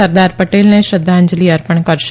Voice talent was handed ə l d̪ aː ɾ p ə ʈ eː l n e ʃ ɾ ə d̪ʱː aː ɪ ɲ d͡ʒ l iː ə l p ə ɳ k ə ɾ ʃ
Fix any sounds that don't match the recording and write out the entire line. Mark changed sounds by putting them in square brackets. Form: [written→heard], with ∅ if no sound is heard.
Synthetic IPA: ə [l→ɾ] d̪ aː ɾ p ə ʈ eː l n e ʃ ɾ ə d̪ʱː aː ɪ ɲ d͡ʒ l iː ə [l→ɾ] p ə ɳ k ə ɾ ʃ